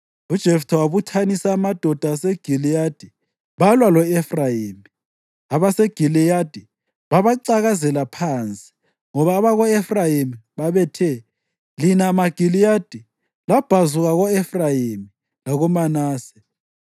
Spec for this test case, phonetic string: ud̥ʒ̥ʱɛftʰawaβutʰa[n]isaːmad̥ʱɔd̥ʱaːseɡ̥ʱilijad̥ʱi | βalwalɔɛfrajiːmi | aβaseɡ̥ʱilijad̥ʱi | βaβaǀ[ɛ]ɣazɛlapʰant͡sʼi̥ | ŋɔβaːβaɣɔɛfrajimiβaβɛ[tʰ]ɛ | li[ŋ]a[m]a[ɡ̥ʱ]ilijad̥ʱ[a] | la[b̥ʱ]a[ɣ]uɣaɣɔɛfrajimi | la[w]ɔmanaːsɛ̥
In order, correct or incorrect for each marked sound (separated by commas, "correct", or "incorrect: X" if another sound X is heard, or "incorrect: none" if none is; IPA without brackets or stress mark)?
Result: correct, incorrect: a, correct, incorrect: n, correct, correct, incorrect: i, correct, incorrect: z, incorrect: ɣ